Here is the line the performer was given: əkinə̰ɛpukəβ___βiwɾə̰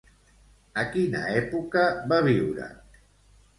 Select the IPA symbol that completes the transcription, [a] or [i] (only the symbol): a